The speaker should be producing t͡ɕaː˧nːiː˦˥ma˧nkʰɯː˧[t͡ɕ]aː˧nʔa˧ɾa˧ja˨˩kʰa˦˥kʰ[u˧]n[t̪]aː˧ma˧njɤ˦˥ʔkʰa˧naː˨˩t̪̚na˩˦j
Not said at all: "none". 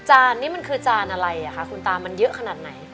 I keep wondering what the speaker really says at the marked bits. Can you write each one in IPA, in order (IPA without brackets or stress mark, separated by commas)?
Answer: t͡ɕ, u˧, t̪